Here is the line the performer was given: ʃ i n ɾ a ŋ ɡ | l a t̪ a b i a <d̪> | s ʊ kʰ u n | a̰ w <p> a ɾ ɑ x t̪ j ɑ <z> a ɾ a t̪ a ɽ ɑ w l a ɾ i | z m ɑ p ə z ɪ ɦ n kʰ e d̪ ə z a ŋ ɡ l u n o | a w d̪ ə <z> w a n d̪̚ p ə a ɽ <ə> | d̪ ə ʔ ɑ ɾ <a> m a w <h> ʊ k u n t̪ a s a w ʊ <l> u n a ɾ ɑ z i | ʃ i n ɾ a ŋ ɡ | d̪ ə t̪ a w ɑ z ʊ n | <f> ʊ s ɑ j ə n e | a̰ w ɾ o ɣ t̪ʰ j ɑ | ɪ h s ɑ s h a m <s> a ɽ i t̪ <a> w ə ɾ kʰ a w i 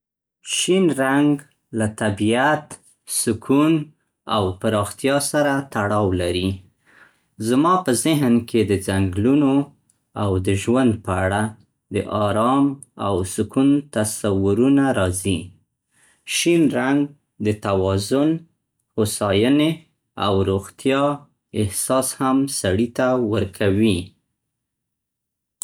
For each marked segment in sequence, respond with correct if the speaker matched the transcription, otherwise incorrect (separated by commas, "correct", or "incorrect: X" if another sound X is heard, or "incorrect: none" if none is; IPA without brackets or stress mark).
incorrect: t̪, correct, incorrect: s, incorrect: ʒ, incorrect: a, incorrect: ɑ, incorrect: s, incorrect: ɾ, incorrect: h, correct, correct